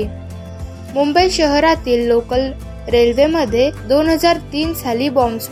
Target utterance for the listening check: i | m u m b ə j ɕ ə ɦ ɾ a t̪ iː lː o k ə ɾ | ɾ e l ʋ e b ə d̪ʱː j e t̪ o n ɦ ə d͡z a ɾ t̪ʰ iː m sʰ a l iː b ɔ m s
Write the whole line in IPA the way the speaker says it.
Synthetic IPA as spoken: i | m u m b ə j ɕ ə ɦ ɾ a t̪ iː lː o k ə l | ɾ e l ʋ e m ə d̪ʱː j e d̪ o n ɦ ə d͡z a ɾ t̪ iː n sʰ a l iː b ɔ m s